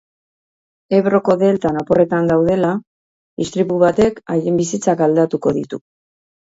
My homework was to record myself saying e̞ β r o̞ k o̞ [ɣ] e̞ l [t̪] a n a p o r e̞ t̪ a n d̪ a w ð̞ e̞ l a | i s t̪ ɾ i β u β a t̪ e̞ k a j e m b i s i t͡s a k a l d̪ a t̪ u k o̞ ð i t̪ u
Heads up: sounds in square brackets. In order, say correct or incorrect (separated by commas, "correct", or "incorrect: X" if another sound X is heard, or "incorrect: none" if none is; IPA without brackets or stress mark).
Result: incorrect: ð, correct